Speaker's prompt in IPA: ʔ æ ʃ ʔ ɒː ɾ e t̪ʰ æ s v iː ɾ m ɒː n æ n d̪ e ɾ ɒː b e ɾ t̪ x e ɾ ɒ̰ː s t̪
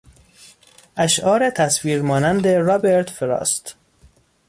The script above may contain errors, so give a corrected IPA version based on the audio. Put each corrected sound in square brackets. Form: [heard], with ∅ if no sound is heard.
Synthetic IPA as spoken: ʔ æ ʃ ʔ ɒː ɾ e t̪ʰ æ s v iː ɾ m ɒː n æ n d̪ e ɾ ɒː b e ɾ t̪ [f] e ɾ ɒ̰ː s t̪